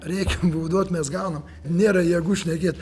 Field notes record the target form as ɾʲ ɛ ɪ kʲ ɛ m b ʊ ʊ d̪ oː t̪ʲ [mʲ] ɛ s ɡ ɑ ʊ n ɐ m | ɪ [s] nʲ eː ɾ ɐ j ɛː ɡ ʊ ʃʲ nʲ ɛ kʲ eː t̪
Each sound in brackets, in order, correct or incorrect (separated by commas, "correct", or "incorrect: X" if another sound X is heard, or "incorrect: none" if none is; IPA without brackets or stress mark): correct, incorrect: none